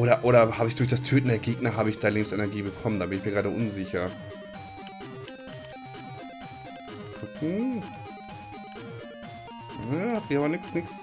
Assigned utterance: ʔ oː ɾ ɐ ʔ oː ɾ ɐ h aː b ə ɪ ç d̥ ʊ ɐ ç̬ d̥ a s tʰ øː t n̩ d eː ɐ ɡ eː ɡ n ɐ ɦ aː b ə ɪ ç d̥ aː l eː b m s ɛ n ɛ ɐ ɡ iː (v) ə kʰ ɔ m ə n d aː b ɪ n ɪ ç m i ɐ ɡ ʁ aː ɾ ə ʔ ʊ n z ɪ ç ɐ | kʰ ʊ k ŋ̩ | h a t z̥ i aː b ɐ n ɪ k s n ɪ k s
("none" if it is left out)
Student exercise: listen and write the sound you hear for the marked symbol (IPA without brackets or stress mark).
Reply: b